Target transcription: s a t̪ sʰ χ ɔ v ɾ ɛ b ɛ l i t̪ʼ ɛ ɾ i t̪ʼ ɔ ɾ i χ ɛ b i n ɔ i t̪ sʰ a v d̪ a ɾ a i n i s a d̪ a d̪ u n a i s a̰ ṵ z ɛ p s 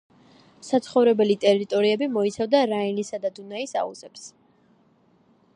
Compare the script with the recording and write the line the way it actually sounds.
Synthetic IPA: s a t̪ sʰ χ ɔ v ɾ ɛ b ɛ l i t̪ʼ ɛ ɾ i t̪ʼ ɔ ɾ i ɛ b i m ɔ i t̪ sʰ a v d̪ a ɾ a i n i s a d̪ a d̪ u n a i s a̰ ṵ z ɛ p s